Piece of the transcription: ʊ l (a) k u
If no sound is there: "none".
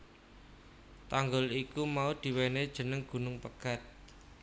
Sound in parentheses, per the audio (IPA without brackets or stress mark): i